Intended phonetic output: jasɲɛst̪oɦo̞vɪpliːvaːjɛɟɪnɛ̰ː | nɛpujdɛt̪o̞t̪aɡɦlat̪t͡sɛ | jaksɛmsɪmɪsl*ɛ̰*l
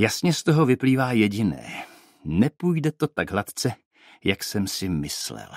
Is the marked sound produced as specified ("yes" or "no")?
yes